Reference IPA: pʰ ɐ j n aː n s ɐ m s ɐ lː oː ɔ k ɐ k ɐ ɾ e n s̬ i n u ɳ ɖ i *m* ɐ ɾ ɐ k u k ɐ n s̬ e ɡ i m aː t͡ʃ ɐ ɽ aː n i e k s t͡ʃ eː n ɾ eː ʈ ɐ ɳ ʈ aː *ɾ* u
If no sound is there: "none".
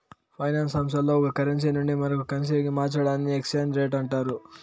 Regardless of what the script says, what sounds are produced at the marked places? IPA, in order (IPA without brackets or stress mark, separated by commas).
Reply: m, ɾ